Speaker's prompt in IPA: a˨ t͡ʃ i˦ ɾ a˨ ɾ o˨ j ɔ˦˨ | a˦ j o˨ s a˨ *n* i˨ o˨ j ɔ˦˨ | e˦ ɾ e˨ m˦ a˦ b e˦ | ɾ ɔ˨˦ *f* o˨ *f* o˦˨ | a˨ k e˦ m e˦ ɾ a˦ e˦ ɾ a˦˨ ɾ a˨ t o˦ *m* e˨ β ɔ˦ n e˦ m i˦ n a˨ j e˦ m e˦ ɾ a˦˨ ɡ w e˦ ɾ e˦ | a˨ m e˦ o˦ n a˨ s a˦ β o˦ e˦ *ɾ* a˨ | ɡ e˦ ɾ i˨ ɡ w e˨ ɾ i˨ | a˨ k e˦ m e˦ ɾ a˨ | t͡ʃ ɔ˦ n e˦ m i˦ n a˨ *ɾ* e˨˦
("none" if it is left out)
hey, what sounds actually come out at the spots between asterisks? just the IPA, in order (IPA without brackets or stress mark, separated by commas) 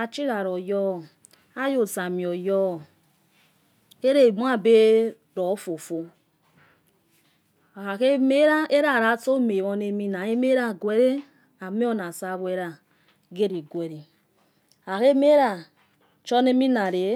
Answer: m, f, f, m, ɾ, ɾ